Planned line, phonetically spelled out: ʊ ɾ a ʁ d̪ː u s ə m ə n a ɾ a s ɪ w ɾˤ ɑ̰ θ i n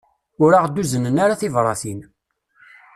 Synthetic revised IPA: ʊ ɾ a ʁ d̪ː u z ə n ə n a ɾ a θ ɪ v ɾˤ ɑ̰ θ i n